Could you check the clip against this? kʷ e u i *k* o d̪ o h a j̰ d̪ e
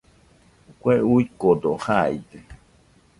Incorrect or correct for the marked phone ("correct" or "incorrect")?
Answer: correct